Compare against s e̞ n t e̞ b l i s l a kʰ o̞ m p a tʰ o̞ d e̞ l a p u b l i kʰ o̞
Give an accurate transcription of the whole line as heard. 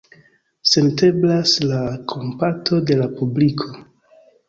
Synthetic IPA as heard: s e̞ n t e̞ b l a s l a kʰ o̞ m p a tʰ o̞ d e̞ l a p u b l i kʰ o̞